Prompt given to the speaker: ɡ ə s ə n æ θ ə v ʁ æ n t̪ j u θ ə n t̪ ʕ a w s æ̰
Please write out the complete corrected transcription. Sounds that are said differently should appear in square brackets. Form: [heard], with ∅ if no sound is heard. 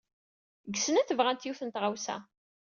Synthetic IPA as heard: ɡ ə s ə n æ θ ə v ʁ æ n t̪ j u θ ə n t̪ [ʁ] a w s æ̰